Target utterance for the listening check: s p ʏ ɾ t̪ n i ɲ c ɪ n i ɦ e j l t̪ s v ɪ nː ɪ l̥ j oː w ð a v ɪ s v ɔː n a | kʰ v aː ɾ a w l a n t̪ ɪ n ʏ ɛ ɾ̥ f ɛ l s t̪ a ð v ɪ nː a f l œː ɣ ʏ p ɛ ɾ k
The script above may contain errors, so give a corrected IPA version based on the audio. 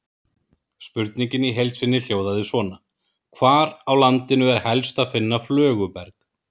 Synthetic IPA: s p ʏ ɾ t̪ n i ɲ c ɪ n i ɦ e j l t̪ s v ɪ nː ɪ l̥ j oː w ð a ð ɪ s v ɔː n a | kʰ v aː ɾ a w l a n t̪ ɪ n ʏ ɛ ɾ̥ h ɛ l s t̪ a ð f ɪ nː a f l œː ɣ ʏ p ɛ ɾ k